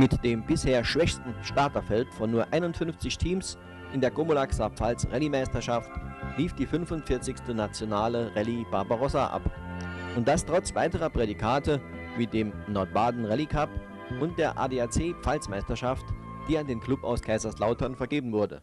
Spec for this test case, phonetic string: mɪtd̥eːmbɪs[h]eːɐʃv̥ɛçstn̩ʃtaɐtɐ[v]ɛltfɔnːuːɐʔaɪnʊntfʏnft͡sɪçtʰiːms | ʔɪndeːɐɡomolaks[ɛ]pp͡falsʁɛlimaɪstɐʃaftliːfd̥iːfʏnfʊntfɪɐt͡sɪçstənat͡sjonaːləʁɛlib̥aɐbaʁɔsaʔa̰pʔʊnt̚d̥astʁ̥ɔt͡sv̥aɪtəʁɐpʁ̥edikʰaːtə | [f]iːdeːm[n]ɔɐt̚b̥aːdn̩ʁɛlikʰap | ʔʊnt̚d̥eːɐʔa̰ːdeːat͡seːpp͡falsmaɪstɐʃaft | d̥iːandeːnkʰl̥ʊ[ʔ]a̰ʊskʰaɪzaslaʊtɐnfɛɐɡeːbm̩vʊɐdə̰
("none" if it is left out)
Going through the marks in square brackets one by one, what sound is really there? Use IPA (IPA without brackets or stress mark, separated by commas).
h, f, a, v, n, p